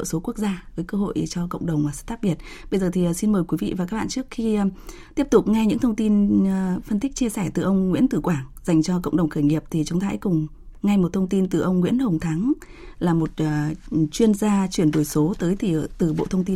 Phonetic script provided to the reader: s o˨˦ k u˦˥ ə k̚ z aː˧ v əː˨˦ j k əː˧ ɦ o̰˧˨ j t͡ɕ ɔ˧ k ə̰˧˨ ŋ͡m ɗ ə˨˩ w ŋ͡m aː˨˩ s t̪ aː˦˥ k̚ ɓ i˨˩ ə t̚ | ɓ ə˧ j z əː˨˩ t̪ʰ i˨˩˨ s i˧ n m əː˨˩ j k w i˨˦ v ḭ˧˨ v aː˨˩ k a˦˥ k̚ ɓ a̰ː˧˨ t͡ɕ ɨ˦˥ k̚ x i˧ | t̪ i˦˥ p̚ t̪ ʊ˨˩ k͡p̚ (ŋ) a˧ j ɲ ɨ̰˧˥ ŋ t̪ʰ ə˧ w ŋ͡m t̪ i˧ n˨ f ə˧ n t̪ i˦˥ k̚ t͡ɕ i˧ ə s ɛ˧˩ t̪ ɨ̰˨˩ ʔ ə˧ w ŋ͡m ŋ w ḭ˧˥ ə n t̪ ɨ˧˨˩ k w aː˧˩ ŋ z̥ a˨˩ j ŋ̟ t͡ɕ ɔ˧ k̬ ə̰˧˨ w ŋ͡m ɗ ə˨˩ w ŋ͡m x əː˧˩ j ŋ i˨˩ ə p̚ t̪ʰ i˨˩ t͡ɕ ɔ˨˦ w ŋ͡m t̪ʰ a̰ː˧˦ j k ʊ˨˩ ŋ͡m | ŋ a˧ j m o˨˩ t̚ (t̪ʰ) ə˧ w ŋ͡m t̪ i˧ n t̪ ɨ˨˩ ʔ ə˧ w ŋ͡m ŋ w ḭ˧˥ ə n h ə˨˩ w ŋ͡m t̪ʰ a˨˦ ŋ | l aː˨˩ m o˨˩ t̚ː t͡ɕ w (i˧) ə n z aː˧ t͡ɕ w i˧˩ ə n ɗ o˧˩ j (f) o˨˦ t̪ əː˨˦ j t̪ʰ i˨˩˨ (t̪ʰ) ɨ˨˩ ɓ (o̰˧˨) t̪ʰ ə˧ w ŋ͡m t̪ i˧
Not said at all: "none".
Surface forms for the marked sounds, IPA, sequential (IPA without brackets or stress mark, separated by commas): ŋ, t̪ʰ, i˧, s, t̪, o̰˧˨